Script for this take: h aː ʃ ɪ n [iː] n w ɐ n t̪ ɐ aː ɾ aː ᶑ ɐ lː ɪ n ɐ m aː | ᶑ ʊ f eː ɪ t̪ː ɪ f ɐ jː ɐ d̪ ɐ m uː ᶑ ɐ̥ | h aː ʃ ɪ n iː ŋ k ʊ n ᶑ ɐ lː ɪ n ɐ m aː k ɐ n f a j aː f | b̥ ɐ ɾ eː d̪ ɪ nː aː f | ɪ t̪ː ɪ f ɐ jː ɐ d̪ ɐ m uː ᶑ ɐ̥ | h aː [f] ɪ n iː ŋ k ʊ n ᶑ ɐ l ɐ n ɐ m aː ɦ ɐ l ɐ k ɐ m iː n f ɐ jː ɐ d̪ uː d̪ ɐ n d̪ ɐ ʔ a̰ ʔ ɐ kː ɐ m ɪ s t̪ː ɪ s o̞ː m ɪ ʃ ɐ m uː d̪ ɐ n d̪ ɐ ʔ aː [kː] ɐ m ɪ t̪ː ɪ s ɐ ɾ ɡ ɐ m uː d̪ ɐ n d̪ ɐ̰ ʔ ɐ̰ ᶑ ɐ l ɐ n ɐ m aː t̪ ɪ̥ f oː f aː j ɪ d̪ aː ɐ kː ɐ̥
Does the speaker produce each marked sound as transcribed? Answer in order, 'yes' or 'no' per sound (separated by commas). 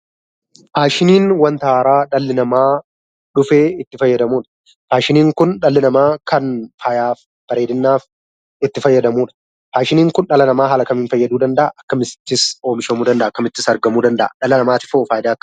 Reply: yes, no, yes